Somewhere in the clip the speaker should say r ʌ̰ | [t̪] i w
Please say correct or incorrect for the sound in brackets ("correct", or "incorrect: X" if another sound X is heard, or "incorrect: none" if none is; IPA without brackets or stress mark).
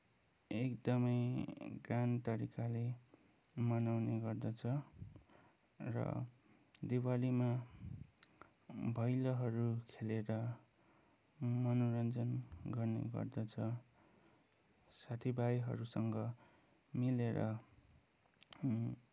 incorrect: d̪